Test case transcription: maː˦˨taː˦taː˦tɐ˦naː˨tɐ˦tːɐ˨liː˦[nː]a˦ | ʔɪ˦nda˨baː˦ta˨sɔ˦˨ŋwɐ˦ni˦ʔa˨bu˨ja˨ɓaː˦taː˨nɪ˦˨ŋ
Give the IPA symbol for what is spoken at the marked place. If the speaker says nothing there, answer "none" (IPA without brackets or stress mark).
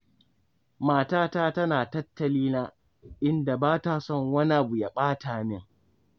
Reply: n